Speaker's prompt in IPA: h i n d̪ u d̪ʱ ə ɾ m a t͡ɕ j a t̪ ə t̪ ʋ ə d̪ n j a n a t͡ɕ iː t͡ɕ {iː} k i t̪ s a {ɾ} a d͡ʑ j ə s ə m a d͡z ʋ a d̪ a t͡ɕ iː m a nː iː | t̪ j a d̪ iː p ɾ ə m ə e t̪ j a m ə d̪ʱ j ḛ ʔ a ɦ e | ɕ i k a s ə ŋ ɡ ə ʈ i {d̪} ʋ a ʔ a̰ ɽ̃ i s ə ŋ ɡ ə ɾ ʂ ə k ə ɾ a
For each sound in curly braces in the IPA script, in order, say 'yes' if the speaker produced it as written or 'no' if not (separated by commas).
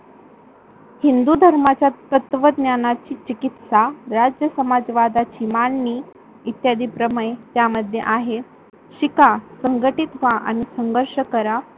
no, yes, no